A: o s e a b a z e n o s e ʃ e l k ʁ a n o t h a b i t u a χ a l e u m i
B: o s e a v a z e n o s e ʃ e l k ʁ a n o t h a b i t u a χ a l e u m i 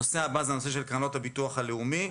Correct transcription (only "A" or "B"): A